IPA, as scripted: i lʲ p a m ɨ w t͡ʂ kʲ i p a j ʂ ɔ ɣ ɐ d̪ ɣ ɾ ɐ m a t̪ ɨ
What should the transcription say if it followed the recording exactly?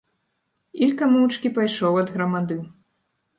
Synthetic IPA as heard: i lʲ k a m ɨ w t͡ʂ kʲ i p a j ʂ ɔ w ɐ d̪ ɣ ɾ ɐ m a d̪ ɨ